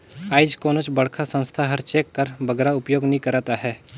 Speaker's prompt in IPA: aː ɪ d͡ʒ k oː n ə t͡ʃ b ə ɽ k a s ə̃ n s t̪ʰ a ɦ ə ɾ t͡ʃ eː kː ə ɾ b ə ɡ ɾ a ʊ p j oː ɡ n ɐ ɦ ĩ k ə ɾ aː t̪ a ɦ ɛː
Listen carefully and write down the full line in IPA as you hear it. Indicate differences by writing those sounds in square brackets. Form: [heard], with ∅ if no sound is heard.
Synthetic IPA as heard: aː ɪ d͡ʒ k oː n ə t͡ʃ b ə ɽ [kʰ] a s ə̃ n s t̪ʰ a ɦ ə ɾ t͡ʃ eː kː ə ɾ b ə ɡ ɾ a ʊ p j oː ɡ n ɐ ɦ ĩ k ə ɾ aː t̪ a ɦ ɛː